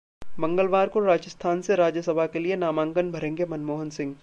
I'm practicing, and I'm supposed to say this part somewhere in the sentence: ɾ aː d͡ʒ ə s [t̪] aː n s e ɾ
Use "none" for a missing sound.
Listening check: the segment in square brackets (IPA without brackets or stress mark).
t̪ʰ